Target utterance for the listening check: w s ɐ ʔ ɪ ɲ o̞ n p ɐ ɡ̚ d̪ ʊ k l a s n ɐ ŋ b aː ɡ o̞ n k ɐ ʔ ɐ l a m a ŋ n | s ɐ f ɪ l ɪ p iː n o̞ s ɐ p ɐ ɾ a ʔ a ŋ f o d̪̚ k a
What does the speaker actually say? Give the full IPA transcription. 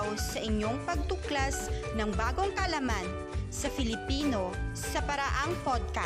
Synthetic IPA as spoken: w s ɐ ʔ ɪ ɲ o̞ ŋ p ɐ ɡ̚ t̪ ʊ k l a s n ɐ ŋ b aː ɡ o̞ ŋ k ɐ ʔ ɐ l a m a n | s ɐ f ɪ l ɪ p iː n o̞ s ɐ p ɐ ɾ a ʔ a ŋ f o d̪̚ k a